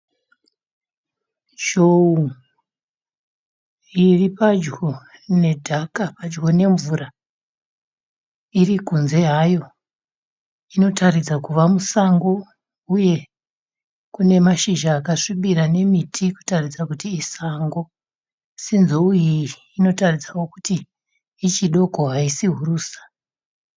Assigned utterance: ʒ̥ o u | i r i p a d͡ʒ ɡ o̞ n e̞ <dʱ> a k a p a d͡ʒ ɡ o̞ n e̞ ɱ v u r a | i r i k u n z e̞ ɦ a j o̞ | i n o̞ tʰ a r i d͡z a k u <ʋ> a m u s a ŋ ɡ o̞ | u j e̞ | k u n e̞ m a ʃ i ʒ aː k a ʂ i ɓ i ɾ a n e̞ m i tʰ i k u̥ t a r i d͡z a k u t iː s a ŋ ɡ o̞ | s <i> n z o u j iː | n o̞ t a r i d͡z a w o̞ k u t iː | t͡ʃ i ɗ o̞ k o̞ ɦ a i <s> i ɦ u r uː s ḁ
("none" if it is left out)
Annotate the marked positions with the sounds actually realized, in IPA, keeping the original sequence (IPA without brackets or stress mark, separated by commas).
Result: dʱ, ʋ, i, s